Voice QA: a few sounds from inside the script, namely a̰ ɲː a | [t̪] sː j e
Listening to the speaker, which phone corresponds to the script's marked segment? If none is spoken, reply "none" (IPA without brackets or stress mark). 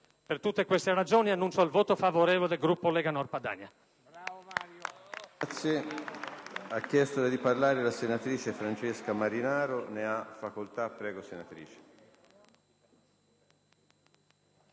t̪